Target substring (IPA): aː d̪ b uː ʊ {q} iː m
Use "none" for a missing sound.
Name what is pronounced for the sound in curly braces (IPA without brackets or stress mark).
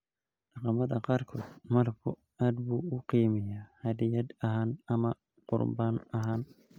q